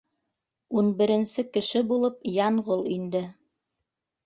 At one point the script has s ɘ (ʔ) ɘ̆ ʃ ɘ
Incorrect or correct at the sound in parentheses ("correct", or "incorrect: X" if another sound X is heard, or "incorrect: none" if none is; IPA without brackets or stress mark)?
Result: incorrect: k